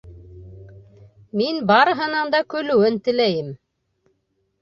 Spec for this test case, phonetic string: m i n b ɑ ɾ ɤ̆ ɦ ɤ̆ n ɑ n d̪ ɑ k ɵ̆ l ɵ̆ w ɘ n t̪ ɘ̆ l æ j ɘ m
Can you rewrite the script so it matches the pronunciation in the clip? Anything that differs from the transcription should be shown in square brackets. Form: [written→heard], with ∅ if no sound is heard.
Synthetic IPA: m i n b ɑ ɾ ɤ̆ ɦ ɤ̆ n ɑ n d̪ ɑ k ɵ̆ l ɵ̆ w ɘ n t̪ ɘ̆ l æ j ɘ m